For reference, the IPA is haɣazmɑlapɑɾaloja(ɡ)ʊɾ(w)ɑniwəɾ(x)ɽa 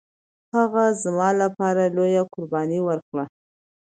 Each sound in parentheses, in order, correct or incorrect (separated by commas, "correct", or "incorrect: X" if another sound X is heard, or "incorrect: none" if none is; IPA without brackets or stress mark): incorrect: k, incorrect: b, incorrect: k